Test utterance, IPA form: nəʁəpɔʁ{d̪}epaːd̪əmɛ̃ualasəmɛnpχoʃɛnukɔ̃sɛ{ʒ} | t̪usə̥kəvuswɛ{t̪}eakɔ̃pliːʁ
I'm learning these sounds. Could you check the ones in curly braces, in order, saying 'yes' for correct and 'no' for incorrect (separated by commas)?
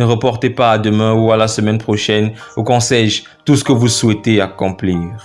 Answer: no, yes, yes